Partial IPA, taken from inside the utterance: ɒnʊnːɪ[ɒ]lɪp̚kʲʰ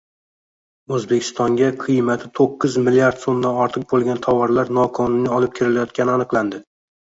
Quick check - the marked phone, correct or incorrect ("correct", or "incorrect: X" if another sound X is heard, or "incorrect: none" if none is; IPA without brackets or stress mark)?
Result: correct